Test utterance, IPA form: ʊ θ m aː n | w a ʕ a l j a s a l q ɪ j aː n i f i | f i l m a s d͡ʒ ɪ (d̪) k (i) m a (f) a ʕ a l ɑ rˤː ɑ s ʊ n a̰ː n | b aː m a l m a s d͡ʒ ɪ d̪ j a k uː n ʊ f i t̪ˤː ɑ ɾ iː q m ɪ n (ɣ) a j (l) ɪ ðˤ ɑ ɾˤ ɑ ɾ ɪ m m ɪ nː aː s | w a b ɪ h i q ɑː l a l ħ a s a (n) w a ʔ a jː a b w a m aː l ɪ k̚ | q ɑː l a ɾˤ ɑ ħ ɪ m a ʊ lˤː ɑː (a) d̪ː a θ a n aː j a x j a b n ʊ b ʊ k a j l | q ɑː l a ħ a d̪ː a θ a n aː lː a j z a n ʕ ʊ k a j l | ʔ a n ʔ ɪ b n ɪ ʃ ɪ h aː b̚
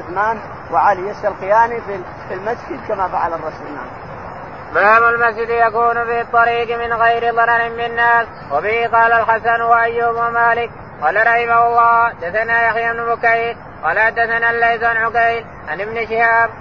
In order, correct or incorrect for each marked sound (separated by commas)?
correct, incorrect, correct, correct, incorrect, correct, correct